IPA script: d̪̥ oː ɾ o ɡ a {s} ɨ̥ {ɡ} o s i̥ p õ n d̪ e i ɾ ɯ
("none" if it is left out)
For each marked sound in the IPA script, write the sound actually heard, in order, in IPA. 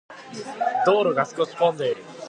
s, k

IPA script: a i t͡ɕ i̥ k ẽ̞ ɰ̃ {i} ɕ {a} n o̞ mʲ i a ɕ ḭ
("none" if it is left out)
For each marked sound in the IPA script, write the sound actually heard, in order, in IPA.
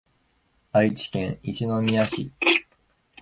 i, i

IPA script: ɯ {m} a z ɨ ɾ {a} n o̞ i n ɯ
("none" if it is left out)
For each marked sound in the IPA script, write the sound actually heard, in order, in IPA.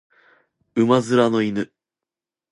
m, a

